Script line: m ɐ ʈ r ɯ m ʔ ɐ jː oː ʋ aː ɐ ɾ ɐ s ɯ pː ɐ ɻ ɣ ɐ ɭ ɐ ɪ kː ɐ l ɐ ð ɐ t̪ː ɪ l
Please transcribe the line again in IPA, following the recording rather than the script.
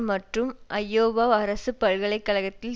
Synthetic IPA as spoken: m ɐ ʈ r ɯ m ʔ ɐ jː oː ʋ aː ɐ ɾ ɐ s ɯ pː ɐ ɻ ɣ ɐ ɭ ɐ ɪ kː ɐ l ɐ ɣ ɐ t̪ː ɪ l